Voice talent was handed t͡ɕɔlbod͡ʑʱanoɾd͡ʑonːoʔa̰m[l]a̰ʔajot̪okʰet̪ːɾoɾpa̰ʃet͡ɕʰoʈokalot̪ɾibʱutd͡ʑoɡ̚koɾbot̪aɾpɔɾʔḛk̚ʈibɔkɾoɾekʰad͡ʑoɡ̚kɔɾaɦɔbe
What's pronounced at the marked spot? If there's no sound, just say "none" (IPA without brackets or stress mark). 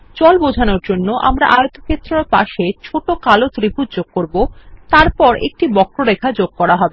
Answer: ɾ